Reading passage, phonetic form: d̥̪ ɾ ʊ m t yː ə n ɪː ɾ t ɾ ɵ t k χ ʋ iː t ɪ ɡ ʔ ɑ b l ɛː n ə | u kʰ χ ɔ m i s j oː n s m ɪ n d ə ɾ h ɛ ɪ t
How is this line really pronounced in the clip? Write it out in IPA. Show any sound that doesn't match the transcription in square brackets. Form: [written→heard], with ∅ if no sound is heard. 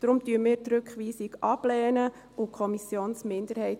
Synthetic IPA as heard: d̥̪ ɾ ʊ m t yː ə [n→m] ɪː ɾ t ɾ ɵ [t→∅] k χ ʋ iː [t→s] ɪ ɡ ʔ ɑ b l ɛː n ə | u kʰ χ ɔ m i s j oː n s m ɪ n d ə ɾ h ɛ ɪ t

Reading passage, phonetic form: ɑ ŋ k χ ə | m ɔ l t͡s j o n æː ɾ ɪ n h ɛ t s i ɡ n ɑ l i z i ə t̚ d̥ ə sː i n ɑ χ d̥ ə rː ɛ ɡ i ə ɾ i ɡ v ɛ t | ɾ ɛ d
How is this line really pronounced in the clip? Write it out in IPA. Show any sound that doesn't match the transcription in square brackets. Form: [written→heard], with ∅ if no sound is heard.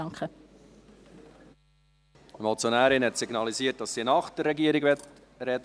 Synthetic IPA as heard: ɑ ŋ k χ ə | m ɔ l t͡s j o n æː ɾ ɪ n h ɛ t s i ɡ n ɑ l i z i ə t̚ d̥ [ə→ɑ] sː i n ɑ χ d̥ ə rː ɛ ɡ i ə ɾ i ɡ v ɛ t | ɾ ɛ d

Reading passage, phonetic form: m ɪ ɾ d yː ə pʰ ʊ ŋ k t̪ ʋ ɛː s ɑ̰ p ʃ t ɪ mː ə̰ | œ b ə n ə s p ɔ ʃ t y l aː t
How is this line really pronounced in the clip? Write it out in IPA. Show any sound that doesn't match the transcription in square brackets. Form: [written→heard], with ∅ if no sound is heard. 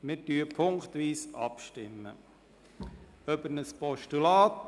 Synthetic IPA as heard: m ɪ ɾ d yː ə pʰ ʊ ŋ k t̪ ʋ [ɛː→iː] s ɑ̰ p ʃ t ɪ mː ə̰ | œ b ə n ə s p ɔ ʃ t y l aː t

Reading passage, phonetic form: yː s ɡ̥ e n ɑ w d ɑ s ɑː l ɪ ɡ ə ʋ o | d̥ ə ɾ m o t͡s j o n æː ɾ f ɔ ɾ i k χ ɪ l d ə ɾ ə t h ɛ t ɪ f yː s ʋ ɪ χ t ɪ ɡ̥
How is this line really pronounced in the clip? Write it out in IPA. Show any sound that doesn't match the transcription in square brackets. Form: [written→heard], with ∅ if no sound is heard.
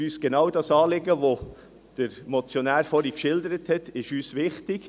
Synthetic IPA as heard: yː s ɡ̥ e n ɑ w d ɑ s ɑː l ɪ ɡ ə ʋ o | d̥ ə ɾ m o t͡s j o n æː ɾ f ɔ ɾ i k [χ→ʃ] ɪ l d ə ɾ ə t h ɛ t ɪ [f→ʃ] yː s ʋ ɪ χ t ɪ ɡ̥

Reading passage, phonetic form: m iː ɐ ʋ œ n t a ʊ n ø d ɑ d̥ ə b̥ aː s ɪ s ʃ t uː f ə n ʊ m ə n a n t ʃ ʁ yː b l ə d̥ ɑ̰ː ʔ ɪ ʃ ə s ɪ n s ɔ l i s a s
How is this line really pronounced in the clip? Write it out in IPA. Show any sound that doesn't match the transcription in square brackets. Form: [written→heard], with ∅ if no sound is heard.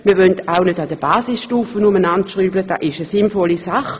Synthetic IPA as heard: m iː ɐ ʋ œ n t a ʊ n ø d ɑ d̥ ə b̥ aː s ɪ s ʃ t uː f ə n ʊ m ə n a n t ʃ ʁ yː b l ə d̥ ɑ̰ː ʔ ɪ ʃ ə s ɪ n [s→f] ɔ l i s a [s→χ]

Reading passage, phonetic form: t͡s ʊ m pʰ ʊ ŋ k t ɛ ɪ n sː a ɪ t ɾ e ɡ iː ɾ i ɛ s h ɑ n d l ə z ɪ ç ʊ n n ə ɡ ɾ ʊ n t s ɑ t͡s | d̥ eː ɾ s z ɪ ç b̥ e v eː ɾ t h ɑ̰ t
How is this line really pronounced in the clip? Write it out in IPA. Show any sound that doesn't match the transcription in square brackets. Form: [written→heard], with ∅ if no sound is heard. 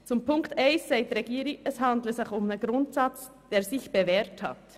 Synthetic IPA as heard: t͡s ʊ m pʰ ʊ ŋ k t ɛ ɪ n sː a ɪ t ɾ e ɡ iː ɾ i ɛ s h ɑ n d l ə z ɪ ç ʊ [n→m] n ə ɡ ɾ ʊ n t s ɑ t͡s | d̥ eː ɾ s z ɪ ç b̥ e v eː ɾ t h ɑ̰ t

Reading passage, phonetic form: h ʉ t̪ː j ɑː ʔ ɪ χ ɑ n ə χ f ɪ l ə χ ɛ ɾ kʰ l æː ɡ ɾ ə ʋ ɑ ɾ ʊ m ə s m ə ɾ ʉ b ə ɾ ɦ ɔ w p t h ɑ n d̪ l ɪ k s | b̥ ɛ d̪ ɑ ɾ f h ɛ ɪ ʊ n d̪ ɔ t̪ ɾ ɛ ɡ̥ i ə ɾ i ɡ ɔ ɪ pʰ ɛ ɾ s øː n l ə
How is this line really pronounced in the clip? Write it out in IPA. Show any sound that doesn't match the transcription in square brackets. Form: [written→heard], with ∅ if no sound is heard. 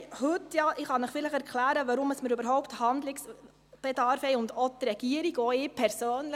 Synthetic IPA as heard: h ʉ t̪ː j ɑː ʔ ɪ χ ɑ n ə χ f ɪ l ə χ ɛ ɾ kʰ l æː [ɡ→∅] ɾ ə ʋ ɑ ɾ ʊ m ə s m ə ɾ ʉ b ə ɾ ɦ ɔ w p t h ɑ n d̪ l ɪ k s | b̥ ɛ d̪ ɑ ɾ f h ɛ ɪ ʊ n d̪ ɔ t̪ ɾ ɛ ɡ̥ i ə ɾ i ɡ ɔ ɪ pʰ ɛ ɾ s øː n l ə

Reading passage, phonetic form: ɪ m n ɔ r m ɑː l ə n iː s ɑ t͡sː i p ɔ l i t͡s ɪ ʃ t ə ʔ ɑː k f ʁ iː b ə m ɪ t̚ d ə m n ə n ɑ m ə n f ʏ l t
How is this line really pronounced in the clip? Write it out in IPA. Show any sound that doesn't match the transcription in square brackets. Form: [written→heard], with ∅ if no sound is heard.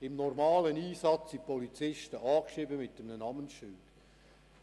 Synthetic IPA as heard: ɪ m n ɔ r m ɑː l ə n iː s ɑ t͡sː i p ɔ l i t͡s ɪ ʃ t ə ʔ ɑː k [f→ʃ] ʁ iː b ə m ɪ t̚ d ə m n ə n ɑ m ə n [f→ʃ] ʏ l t

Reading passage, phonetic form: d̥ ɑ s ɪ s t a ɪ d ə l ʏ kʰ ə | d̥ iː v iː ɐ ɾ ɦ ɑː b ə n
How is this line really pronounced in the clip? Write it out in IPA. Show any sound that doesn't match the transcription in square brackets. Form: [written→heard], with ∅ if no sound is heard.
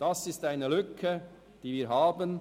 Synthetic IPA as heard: d̥ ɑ s ɪ s t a ɪ [d→n] ə l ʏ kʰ ə | d̥ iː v iː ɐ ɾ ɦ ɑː b ə n

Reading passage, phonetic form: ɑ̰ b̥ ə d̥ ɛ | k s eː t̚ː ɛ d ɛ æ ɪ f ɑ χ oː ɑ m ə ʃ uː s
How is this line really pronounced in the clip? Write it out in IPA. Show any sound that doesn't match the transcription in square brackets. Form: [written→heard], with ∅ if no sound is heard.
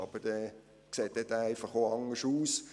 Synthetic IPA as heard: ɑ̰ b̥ ə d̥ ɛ | k s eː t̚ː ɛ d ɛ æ ɪ f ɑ χ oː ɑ [m→ŋ] ə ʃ uː s

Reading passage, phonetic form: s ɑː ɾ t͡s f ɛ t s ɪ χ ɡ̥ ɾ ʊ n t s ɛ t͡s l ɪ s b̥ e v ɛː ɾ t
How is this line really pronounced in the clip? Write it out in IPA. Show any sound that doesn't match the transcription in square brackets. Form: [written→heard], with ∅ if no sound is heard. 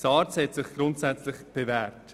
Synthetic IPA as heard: s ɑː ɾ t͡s [f→h] ɛ t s ɪ χ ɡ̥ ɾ ʊ n t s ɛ t͡s l ɪ [s→χ] b̥ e v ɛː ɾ t

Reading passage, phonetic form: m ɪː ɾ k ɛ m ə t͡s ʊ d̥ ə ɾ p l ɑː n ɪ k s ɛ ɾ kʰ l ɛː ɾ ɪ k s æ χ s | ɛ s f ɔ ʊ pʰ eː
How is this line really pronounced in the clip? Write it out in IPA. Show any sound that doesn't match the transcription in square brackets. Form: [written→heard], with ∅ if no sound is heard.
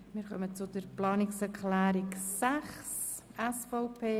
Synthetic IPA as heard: m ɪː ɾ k [ɛ→œ] m ə t͡s ʊ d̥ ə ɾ p l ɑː n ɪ k s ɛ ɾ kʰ l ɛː ɾ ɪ k s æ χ s | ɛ s f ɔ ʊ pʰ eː

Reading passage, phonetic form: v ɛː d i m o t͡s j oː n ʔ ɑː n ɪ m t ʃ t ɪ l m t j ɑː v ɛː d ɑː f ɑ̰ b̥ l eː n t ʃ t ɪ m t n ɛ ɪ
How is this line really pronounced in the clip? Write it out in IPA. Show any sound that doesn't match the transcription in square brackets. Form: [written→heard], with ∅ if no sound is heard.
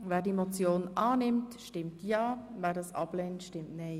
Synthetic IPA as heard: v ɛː d i m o t͡s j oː n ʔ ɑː n ɪ m t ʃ t ɪ [l→∅] m t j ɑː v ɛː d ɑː [f→s] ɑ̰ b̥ l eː n t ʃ t ɪ m t n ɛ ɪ

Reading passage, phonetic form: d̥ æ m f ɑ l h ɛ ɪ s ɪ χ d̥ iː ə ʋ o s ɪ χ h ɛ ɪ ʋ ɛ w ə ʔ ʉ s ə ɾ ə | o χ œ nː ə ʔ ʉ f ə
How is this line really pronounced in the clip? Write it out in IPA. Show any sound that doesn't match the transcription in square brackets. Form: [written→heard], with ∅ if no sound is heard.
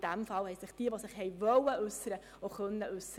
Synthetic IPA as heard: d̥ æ m f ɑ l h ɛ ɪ s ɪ χ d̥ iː ə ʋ o s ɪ χ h ɛ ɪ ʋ [ɛ→œ] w ə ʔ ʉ s ə ɾ ə | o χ œ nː ə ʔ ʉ [f→s] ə

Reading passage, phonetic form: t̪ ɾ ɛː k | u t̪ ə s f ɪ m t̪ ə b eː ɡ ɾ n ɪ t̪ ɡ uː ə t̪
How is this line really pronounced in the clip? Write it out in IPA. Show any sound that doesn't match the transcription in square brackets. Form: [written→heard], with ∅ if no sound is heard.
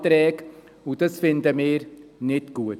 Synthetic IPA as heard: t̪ ɾ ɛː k | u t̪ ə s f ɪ [m→n] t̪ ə [b→m] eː [ɡ→∅] ɾ n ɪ t̪ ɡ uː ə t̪

